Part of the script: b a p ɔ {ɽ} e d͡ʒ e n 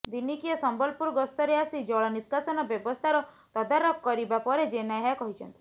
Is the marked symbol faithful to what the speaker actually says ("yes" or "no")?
no